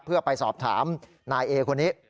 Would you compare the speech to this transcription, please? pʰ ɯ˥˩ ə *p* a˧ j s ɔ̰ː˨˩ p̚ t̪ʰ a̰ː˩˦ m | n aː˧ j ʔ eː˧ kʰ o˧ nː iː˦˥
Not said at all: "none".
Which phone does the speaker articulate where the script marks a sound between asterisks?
p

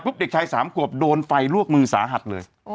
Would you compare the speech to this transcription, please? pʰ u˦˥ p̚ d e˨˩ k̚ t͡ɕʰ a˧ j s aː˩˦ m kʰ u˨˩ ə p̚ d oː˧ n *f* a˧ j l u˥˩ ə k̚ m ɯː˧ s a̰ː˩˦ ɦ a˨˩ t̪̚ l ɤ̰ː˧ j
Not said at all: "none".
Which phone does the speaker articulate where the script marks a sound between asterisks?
f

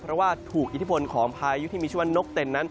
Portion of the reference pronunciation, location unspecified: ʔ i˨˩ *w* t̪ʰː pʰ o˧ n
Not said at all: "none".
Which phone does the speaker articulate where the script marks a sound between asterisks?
none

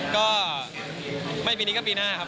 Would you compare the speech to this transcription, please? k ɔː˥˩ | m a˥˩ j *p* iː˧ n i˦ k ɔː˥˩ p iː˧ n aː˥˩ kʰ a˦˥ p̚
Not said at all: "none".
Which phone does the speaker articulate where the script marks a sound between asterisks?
p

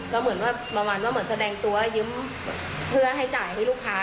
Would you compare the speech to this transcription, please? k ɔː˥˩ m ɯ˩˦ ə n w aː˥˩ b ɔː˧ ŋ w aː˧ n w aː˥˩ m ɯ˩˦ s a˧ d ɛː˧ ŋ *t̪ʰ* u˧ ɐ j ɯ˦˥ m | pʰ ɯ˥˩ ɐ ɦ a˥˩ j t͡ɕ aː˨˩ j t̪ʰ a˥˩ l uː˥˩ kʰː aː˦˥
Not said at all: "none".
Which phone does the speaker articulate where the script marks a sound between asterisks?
t̪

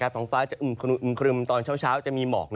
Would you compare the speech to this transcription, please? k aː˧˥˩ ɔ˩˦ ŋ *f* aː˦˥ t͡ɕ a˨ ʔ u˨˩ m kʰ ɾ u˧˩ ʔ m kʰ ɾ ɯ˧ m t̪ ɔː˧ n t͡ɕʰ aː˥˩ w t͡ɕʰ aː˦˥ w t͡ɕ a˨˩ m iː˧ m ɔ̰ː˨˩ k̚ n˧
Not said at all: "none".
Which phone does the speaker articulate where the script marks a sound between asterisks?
f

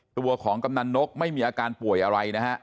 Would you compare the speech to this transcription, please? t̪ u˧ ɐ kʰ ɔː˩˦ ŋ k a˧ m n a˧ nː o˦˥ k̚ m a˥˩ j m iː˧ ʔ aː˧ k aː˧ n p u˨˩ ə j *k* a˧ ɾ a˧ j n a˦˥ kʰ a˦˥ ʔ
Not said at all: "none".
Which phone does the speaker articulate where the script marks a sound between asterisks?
ʔ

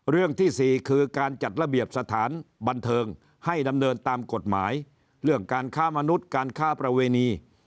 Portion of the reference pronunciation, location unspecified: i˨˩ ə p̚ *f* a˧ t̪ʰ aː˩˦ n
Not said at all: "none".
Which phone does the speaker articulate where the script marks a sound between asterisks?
s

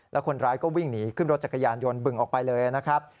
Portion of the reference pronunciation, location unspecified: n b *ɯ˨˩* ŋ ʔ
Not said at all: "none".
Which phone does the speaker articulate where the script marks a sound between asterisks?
ɯ˨˩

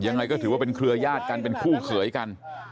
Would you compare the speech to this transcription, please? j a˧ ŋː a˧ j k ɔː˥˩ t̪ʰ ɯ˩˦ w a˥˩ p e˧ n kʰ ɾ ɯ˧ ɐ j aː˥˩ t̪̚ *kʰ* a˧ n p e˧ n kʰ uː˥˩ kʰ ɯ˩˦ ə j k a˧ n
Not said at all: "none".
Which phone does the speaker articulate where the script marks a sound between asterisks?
k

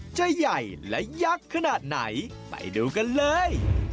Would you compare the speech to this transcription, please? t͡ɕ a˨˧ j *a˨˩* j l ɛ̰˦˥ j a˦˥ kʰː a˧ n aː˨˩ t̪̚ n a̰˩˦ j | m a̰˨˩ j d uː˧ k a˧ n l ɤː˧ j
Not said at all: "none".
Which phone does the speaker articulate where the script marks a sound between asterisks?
a˨˩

